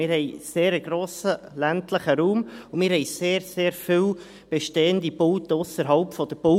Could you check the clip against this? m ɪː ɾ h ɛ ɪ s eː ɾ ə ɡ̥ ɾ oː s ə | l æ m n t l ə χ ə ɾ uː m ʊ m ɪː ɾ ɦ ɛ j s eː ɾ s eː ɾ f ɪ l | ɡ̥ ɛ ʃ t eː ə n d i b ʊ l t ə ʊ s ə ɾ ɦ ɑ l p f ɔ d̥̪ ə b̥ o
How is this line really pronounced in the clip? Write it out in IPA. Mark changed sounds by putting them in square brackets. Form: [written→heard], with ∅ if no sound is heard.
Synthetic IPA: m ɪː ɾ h ɛ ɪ s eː ɾ ə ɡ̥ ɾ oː s ə | l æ [m→∅] n t l ə χ ə ɾ uː m ʊ m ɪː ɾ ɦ ɛ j s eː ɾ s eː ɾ f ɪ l | [ɡ̥→b̥] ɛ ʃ t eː ə n d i b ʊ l t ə ʊ s ə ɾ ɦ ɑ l p f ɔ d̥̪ ə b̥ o